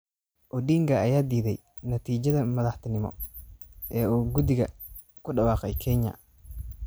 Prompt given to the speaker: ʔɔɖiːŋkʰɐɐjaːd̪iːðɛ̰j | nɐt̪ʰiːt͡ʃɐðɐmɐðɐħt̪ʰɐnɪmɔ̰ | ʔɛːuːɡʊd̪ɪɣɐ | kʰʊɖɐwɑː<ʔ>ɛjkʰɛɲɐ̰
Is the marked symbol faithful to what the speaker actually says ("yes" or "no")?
no